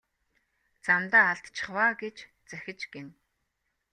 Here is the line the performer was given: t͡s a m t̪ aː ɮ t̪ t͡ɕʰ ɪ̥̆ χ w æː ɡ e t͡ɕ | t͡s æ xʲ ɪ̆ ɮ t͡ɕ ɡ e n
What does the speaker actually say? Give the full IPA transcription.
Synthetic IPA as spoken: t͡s a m t̪ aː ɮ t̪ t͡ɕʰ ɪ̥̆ χ w aː ɡ e t͡ɕ | t͡s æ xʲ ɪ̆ t͡ɕ ɡ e n